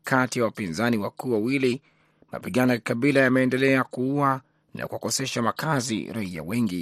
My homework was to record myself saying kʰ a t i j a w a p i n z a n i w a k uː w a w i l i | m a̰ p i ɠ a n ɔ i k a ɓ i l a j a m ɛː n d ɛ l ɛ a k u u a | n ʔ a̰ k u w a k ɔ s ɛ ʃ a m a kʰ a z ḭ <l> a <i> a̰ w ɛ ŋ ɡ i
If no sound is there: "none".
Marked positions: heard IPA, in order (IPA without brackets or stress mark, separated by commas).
ɾ, i